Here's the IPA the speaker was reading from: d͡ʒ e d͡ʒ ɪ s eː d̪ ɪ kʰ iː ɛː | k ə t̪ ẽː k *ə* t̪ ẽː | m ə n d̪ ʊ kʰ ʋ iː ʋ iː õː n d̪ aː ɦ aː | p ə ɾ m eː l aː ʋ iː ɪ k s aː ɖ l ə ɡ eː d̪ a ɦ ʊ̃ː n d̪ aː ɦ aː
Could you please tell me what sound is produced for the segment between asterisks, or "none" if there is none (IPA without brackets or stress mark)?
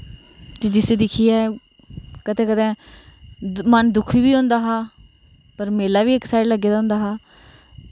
ə